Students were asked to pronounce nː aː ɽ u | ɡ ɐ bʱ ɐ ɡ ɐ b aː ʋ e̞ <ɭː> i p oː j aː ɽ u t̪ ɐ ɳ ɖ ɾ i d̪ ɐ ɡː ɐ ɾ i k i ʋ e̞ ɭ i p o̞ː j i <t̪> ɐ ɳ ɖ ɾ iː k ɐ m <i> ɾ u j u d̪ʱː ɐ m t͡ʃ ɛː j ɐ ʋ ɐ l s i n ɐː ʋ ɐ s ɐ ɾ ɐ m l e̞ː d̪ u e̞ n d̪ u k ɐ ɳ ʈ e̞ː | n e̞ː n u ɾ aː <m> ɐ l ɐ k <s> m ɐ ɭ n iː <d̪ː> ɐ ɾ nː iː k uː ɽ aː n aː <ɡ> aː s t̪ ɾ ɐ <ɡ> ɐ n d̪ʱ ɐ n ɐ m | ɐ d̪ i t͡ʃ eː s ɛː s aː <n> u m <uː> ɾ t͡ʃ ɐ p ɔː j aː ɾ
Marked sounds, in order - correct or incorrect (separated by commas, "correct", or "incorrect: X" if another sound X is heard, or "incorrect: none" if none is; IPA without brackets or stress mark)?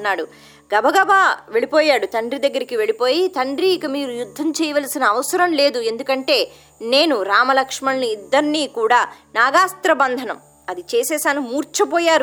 incorrect: ɭ, correct, incorrect: iː, correct, incorrect: ʂ, correct, correct, incorrect: b, correct, correct